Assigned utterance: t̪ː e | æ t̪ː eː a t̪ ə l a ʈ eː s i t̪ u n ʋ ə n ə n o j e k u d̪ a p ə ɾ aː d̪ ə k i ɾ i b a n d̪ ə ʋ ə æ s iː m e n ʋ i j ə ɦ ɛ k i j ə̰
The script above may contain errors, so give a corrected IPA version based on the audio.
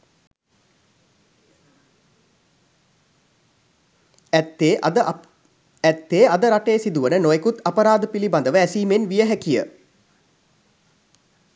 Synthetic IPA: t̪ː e | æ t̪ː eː a d̪ ə ɾ a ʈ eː s i d̪ u ʋ ə n ə n o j e k u t̪ a p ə ɾ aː d̪ ə p i l i b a n d̪ ə ʋ ə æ s iː m e n ʋ i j ə ɦ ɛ k i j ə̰